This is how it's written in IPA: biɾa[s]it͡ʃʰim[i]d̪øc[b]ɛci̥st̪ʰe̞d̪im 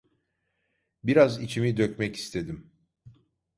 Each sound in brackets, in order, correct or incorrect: incorrect: z, correct, incorrect: m

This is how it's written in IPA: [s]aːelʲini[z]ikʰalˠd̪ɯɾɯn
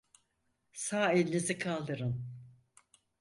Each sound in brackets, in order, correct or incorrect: correct, correct

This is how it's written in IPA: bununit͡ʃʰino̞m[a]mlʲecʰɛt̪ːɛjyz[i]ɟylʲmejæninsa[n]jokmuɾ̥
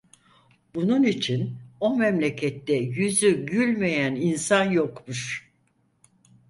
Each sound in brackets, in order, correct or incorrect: incorrect: ɛ, incorrect: y, correct

